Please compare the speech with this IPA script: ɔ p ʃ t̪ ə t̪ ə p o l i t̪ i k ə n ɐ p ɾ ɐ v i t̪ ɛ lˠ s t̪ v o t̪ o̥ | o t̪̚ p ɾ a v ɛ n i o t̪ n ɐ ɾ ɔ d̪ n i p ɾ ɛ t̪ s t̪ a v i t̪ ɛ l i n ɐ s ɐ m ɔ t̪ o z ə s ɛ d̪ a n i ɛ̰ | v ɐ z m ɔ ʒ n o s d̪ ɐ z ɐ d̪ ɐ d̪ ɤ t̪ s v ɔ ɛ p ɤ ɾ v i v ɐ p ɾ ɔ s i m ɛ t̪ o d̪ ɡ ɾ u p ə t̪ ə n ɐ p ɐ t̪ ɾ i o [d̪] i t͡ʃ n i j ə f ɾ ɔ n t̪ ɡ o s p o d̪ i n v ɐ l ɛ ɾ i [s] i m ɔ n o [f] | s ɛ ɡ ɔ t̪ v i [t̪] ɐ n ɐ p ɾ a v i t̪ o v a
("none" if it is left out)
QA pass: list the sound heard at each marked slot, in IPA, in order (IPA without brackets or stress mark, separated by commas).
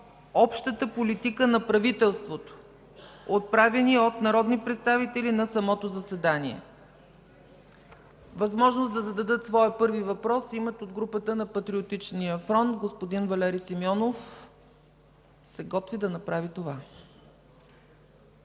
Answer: t̪, s, f, d̪